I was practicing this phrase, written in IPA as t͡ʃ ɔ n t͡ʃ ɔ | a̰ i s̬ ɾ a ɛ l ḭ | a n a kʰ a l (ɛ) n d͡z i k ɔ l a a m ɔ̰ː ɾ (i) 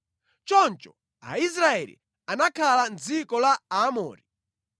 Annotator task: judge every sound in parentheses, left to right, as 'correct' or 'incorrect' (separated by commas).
incorrect, correct